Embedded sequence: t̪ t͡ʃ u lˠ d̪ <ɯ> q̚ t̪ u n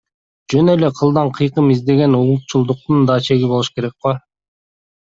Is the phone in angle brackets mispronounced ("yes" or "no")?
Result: yes